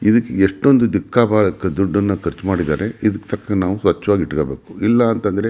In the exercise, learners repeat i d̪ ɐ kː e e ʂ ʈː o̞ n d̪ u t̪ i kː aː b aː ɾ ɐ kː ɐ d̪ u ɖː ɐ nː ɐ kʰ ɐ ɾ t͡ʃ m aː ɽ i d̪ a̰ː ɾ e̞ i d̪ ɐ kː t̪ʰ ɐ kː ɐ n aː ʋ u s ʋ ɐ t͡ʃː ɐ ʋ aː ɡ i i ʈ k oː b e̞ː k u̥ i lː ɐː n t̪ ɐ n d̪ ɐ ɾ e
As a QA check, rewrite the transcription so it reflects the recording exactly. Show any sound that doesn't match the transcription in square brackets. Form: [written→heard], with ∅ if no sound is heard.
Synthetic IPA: i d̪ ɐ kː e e ʂ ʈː o̞ n d̪ u [t̪→d̪] i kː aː b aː [ɾ→l] ɐ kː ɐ d̪ u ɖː ɐ nː ɐ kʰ ɐ ɾ t͡ʃ m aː ɽ i d̪ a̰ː ɾ e̞ i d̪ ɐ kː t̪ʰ ɐ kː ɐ n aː ʋ u s ʋ ɐ t͡ʃː ɐ ʋ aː ɡ i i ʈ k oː b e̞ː k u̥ i lː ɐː n t̪ ɐ n d̪ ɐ ɾ e